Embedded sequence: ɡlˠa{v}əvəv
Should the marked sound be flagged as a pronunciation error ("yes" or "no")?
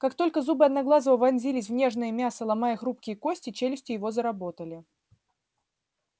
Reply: yes